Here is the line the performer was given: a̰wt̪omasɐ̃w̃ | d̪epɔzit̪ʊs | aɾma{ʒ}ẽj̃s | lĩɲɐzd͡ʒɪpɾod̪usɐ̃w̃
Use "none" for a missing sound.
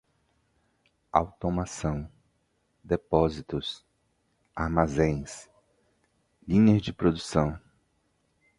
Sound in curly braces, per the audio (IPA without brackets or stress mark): z